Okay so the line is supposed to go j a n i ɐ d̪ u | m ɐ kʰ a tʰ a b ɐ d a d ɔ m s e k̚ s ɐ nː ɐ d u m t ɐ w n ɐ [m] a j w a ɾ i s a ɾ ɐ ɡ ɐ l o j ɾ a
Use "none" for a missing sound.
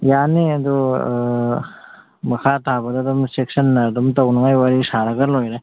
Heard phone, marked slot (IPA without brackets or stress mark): ŋ